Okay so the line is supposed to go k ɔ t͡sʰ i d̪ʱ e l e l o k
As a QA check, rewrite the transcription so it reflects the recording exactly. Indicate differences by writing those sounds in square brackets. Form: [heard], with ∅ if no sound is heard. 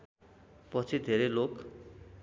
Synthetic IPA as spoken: [p] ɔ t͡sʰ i d̪ʱ e [ɾ] e l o k